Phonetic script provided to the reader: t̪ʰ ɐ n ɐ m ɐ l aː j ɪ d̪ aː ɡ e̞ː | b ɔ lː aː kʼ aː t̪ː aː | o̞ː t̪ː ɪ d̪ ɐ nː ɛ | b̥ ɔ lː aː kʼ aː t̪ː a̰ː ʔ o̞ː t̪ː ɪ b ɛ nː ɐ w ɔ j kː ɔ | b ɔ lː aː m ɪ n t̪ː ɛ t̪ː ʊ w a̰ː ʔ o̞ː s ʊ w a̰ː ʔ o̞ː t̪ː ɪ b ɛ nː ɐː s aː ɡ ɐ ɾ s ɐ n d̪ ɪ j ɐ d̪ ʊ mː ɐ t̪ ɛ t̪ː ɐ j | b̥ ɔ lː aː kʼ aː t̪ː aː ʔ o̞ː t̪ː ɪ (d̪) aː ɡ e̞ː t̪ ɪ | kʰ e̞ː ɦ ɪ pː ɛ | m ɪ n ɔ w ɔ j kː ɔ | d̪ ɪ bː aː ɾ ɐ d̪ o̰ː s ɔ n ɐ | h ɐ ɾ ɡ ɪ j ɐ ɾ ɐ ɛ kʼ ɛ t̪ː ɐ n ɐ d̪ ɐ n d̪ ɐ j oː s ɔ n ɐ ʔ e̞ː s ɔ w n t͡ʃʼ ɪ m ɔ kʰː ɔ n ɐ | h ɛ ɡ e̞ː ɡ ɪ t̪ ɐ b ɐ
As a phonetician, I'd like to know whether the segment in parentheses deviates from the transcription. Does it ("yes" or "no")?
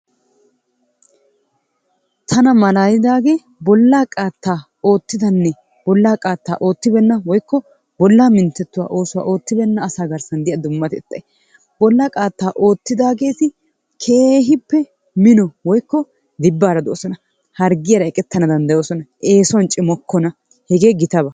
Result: no